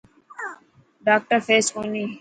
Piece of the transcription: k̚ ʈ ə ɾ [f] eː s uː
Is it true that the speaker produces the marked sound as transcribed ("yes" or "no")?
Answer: yes